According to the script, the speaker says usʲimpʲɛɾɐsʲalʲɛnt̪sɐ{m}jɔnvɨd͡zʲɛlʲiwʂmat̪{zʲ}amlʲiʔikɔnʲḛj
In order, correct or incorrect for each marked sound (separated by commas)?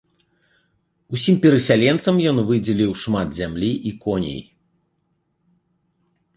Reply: correct, correct